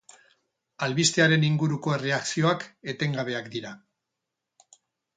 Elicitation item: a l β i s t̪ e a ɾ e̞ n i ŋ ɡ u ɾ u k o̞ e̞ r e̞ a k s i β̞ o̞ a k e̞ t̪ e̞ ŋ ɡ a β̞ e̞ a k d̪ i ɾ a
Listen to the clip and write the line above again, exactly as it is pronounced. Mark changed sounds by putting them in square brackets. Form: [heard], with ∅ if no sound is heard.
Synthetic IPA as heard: a l β i s t̪ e a ɾ e̞ n i ŋ ɡ u ɾ u k o̞ e̞ r e̞ a k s i [∅] o̞ a k e̞ t̪ e̞ ŋ ɡ a β̞ e̞ a k d̪ i ɾ a